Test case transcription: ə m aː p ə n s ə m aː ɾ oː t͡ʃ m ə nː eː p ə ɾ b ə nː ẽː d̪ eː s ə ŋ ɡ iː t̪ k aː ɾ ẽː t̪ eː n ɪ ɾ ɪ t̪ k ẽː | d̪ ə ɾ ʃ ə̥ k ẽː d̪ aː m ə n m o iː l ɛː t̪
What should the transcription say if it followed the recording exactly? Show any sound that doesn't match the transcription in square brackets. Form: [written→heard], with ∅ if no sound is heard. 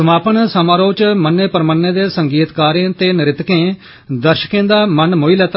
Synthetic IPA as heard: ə m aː p ə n s ə m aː ɾ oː t͡ʃ m ə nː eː p ə ɾ [b→m] ə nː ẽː d̪ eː s ə ŋ ɡ iː t̪ k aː ɾ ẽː t̪ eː n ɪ ɾ ɪ t̪ k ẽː | d̪ ə ɾ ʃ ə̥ k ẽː d̪ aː m ə n m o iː l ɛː t̪